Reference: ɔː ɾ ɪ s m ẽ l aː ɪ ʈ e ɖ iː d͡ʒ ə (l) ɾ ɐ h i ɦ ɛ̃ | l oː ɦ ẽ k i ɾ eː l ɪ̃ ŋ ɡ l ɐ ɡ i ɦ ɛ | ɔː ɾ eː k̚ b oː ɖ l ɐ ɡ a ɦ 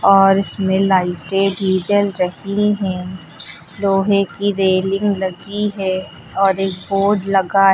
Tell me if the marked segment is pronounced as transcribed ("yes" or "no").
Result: yes